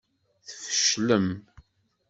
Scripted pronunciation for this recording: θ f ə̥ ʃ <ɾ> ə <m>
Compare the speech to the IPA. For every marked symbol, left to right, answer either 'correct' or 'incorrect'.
incorrect: l, correct

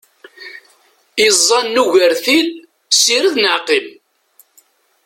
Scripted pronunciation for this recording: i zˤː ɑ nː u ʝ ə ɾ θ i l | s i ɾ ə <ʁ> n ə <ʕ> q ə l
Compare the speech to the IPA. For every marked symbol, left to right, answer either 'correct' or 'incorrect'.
incorrect: ð, correct

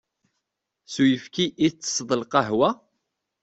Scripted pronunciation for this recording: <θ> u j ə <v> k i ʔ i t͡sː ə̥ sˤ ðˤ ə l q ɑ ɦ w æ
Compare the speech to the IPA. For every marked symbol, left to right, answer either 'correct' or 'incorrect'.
incorrect: s, incorrect: f

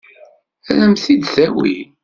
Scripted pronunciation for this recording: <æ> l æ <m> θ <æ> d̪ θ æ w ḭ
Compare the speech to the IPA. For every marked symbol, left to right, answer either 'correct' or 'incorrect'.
correct, correct, incorrect: i

